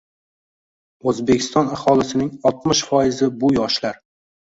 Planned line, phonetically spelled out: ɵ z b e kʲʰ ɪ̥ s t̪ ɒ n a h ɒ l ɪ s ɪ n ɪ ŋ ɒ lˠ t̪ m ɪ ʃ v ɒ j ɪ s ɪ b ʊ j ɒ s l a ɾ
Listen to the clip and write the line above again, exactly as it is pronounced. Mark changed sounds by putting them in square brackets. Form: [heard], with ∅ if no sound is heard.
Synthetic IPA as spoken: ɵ z b e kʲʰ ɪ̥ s t̪ ɒ n a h ɒ l ɪ s ɪ n ɪ ŋ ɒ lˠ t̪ m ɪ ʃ [f] ɒ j ɪ [z] ɪ b ʊ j ɒ [ʃ] l a ɾ